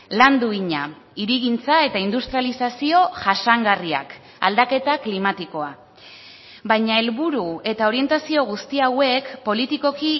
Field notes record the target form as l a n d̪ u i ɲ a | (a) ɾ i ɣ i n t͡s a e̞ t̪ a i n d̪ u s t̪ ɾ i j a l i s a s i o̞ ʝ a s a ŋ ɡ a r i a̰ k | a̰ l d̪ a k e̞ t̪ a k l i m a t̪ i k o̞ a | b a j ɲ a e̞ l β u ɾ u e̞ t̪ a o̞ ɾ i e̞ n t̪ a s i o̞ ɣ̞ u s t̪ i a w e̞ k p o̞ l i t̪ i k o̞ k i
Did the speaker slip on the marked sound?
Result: yes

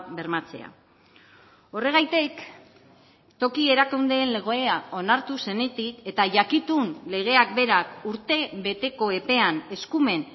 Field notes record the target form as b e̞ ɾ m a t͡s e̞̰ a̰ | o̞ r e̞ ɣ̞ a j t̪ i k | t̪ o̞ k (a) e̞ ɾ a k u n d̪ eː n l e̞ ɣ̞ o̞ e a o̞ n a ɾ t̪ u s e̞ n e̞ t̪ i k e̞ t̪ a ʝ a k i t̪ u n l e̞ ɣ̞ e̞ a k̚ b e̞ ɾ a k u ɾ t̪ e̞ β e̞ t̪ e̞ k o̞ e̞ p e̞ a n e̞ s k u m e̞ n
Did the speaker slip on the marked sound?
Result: yes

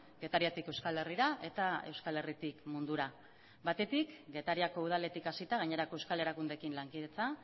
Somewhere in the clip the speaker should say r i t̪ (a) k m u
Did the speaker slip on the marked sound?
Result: yes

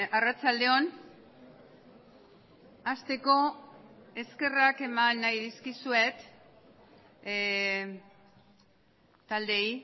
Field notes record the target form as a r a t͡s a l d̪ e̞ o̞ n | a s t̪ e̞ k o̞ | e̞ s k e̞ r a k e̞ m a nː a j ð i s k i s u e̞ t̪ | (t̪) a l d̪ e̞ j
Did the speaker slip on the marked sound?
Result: no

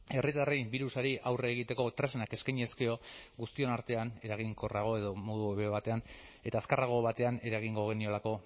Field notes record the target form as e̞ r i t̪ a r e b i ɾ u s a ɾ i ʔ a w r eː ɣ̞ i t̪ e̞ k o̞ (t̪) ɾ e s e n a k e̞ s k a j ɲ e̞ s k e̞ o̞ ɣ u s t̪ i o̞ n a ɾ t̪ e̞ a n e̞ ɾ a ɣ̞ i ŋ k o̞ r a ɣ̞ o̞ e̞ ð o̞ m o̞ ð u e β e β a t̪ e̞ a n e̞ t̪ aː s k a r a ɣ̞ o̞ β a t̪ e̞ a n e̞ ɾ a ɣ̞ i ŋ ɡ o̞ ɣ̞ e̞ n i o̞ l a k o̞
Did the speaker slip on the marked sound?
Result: no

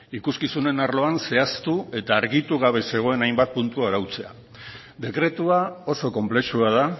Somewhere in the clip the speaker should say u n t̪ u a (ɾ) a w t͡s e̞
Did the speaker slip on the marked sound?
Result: no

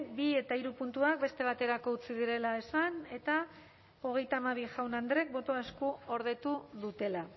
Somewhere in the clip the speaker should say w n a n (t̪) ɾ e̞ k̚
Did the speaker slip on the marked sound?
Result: yes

